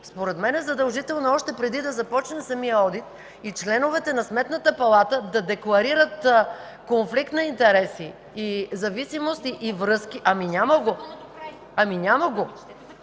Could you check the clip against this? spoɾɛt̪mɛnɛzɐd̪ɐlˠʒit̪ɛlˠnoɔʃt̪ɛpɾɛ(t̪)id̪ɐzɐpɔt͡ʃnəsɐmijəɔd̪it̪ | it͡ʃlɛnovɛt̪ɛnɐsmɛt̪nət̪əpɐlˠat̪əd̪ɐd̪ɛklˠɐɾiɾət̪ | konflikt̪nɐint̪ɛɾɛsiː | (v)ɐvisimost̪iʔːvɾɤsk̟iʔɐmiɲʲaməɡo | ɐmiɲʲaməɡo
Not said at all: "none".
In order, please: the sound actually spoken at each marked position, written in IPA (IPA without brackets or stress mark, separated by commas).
d̪, z